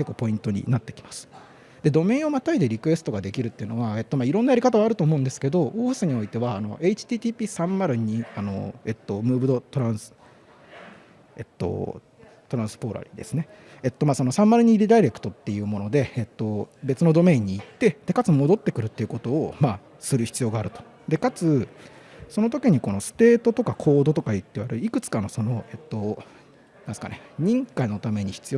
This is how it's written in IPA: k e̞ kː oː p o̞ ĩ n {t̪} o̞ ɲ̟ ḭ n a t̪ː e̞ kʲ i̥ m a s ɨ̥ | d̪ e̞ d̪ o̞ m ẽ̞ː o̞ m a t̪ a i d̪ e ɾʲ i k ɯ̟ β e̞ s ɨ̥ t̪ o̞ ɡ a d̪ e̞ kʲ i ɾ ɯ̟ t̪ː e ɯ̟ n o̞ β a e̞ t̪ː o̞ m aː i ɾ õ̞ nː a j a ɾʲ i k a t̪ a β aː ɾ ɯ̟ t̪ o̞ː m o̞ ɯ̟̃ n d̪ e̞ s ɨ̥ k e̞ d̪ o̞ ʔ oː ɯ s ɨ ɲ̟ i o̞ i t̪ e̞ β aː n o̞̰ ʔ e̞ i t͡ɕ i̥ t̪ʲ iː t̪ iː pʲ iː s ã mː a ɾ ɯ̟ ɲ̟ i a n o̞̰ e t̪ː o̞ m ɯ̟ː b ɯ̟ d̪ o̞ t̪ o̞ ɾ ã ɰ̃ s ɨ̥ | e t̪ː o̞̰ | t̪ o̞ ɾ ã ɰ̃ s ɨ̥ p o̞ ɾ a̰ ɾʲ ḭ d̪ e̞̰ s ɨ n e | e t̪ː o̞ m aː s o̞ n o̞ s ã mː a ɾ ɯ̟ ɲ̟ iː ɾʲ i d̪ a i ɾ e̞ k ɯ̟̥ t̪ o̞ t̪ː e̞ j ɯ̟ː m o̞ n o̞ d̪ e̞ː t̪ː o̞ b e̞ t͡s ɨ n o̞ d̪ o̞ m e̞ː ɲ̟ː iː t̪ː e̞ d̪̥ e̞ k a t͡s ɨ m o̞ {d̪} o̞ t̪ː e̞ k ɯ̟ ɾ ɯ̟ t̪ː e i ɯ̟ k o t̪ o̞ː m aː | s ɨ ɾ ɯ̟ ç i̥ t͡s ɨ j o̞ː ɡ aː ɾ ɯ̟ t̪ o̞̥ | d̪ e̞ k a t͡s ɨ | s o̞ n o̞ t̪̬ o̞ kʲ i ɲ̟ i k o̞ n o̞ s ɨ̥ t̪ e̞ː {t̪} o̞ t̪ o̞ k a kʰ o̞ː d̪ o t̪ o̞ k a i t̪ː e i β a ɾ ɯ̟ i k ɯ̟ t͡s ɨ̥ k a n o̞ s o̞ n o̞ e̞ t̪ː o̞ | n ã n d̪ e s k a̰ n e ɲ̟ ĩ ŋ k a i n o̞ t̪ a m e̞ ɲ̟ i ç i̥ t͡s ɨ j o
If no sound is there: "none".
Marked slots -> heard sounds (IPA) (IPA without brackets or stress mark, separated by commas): t̪, d̪, t̪